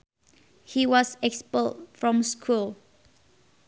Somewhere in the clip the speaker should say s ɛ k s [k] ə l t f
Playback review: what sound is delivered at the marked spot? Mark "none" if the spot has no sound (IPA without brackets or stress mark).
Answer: p